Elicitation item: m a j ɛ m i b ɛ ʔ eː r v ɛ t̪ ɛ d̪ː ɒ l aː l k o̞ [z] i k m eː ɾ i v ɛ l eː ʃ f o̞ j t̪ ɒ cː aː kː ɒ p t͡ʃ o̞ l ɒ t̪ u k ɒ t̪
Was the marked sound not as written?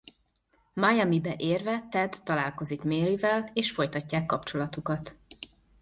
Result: no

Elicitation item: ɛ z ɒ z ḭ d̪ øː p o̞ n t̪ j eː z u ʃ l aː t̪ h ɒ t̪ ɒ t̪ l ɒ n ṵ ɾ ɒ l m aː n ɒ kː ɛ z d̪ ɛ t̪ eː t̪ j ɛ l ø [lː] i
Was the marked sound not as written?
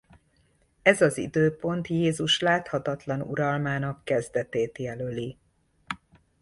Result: yes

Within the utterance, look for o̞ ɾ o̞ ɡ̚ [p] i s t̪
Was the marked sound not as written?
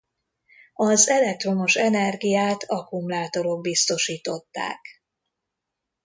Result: yes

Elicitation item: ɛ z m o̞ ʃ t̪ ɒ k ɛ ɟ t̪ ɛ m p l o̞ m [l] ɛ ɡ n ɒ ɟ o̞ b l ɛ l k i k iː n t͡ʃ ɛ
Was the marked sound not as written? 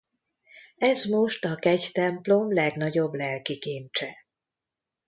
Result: no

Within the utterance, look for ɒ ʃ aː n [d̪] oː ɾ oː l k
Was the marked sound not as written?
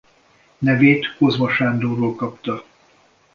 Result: no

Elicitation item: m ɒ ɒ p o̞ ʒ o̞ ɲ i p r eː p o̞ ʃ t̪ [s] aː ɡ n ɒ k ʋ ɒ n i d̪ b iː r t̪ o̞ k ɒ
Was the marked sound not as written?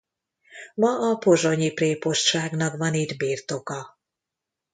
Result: yes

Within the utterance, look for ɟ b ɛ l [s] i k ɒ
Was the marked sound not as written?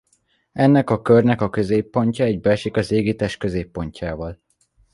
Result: yes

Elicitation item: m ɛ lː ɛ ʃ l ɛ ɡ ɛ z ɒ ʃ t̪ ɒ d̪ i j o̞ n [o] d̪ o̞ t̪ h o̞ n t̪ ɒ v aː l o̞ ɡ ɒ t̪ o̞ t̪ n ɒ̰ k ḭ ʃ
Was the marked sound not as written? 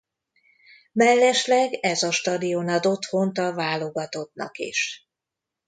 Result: yes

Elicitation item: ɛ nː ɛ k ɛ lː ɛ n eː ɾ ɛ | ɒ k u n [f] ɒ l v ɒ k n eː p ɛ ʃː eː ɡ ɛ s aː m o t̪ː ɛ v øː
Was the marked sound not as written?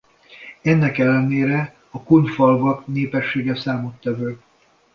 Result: no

